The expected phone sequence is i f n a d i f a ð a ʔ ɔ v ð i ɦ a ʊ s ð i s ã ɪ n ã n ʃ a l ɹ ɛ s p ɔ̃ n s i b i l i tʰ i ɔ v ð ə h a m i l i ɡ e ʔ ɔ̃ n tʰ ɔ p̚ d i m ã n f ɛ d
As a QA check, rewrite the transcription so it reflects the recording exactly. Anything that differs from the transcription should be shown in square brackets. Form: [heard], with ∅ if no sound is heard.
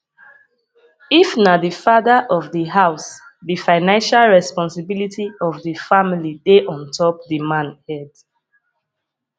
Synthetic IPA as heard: i f n a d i f a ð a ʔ ɔ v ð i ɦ a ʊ s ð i [f] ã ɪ n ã n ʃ a l ɹ ɛ s p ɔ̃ n s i b i l i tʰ i ɔ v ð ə [f] a m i l i [d] e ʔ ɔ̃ n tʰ ɔ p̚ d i m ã n [h] ɛ d

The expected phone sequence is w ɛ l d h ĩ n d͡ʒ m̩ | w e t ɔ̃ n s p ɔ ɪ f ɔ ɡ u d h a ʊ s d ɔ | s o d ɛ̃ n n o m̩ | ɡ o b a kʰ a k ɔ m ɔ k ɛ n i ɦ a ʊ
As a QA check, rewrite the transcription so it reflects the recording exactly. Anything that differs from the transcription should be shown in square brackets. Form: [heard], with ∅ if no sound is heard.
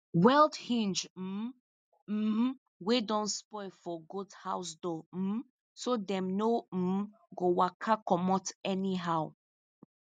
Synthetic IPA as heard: w ɛ l d h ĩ n d͡ʒ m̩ | w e [d] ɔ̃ n s p ɔ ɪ f ɔ ɡ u d h a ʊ s d ɔ | s o d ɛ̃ [m] n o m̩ | ɡ o [w] a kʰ a k ɔ m ɔ [t] ɛ n i ɦ a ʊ

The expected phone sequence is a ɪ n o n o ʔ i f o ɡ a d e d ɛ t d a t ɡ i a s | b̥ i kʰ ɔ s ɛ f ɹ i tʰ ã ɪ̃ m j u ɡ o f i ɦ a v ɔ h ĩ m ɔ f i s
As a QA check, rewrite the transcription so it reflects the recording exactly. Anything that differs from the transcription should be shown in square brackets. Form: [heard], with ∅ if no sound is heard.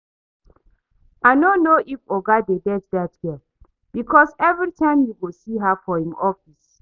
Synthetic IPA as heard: a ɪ n o n o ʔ i f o ɡ a d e d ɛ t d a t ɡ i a [∅] | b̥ i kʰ ɔ s ɛ [v] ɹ i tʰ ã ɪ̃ m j u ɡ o [s] i ɦ a [f] ɔ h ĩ m ɔ f i s

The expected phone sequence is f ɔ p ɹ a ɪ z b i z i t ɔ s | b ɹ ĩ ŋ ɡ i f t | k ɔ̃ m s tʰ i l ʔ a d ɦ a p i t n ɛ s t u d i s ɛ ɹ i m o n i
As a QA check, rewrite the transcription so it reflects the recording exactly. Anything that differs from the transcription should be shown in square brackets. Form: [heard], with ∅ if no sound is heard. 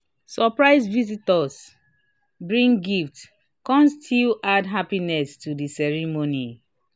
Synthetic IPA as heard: [s] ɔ p ɹ a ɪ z [v] i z i t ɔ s | b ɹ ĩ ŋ ɡ i f t | k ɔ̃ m s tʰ i l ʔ a d ɦ a p i [∅] n ɛ s t u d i s ɛ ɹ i m o n i

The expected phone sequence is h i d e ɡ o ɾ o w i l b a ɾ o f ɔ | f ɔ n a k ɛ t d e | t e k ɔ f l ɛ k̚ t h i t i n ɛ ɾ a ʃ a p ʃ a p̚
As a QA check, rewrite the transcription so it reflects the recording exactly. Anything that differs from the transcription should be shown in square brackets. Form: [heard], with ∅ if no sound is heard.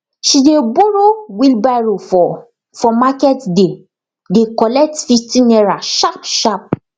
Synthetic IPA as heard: [ʃ] i d e [b] o ɾ o w i l b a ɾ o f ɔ | f ɔ [m] a k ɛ t d e | [d] e k ɔ [∅] l ɛ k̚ t [f] i t i n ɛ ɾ a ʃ a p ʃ a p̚

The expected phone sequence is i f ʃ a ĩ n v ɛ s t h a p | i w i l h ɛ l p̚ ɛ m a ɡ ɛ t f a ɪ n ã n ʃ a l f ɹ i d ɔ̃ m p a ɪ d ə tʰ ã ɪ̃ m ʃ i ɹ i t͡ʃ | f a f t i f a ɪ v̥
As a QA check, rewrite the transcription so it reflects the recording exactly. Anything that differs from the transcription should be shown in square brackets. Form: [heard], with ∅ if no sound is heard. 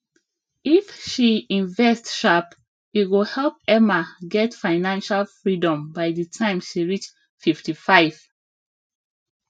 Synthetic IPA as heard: i f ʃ [i] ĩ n v ɛ s t [ʃ] a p | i w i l h ɛ l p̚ ɛ m a ɡ ɛ t f a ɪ n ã n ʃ a l f ɹ i d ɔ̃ m [b] a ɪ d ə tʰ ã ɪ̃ m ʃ i ɹ i t͡ʃ | f [i] f t i f a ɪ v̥

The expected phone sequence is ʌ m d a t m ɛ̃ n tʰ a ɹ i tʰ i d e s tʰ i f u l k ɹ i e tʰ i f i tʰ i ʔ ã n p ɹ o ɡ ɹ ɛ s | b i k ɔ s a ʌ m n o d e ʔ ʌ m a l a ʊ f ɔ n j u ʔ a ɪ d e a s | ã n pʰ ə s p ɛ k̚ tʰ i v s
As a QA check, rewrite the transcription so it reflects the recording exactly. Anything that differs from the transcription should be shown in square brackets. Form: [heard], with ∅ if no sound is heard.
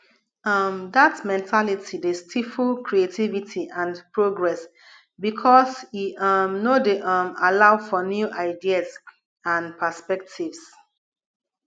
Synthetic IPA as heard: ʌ m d a t m ɛ̃ n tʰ a [l] i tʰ i d e s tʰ i f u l k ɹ i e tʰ i [v] i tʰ i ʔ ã n p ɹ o ɡ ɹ ɛ s | b i [kʰ] ɔ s [i] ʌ m n o d e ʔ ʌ m a l a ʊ f ɔ n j u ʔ a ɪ d [i] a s | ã n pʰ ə s p ɛ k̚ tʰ i v s

